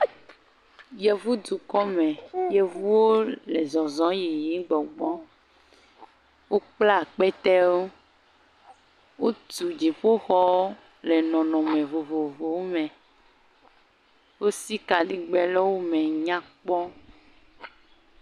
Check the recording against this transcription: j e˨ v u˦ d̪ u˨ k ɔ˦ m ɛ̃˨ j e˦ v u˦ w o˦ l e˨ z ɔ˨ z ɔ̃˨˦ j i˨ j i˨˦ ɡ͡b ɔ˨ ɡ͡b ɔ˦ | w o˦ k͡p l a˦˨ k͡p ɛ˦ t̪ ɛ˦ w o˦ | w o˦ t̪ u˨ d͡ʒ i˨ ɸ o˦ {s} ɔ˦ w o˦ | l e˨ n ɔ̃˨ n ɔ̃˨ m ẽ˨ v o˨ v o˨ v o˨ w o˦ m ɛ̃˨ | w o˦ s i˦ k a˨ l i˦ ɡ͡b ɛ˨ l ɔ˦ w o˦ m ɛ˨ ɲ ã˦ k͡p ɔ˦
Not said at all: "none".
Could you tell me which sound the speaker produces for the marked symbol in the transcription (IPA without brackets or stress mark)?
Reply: x